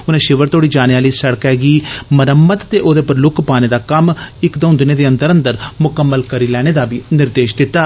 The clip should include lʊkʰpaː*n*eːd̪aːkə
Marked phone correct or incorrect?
correct